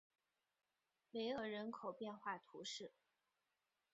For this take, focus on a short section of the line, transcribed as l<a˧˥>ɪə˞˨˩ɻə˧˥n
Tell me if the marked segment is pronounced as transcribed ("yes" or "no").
no